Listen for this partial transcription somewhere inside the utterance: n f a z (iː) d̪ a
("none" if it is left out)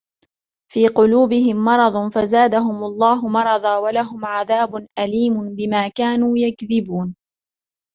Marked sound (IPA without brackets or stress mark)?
aː